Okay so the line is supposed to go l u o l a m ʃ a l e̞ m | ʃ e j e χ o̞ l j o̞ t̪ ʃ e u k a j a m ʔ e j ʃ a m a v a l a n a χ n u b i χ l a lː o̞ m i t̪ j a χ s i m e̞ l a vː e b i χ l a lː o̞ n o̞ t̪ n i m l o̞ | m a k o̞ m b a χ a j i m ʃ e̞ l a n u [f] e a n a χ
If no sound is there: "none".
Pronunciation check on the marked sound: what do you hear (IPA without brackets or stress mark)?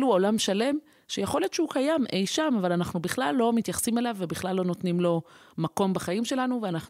v